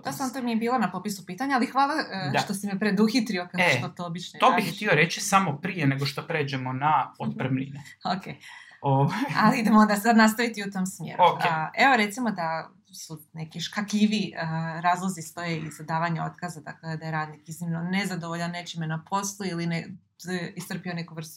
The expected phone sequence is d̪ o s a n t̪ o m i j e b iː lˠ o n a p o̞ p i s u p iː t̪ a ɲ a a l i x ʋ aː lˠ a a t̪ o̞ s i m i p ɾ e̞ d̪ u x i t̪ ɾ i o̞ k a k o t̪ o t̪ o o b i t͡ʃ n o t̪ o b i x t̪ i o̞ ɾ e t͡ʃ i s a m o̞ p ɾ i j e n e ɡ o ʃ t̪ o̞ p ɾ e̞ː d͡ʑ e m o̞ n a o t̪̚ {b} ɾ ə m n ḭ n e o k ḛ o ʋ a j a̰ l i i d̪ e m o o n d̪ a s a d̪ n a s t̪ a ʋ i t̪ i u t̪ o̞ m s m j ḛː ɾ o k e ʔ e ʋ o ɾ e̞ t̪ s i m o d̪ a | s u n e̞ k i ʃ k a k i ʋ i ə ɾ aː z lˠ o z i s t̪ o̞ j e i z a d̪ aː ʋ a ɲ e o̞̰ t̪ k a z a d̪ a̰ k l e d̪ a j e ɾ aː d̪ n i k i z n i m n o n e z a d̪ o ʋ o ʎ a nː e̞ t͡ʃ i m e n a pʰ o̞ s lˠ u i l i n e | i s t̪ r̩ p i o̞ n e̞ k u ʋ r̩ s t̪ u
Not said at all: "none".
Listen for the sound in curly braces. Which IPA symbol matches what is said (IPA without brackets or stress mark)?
p